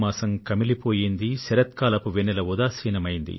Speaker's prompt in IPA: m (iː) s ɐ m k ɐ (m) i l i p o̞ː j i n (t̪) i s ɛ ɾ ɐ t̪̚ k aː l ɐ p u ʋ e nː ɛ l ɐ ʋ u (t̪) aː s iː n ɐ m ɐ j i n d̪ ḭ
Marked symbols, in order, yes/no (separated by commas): no, yes, no, no